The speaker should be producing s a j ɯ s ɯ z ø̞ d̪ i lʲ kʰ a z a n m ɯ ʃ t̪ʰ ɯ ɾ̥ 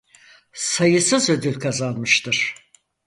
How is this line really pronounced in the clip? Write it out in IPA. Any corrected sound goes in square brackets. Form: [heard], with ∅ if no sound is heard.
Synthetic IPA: s a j ɯ s ɯ z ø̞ d̪ [y] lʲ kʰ a z a n m ɯ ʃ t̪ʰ ɯ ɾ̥